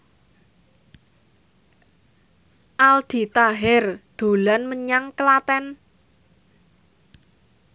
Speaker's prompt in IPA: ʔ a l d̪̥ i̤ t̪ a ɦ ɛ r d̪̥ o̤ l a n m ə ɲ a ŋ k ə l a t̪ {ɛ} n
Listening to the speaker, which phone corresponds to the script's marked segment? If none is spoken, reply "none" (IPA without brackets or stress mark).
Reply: ɛ